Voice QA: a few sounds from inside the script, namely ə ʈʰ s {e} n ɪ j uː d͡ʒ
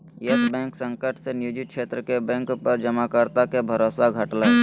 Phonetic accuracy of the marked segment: correct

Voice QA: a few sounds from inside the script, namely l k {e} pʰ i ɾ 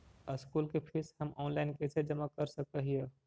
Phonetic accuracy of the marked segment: correct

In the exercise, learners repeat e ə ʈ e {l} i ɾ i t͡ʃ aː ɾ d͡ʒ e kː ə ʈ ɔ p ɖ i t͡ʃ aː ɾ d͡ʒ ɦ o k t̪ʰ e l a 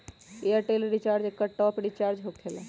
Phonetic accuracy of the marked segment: correct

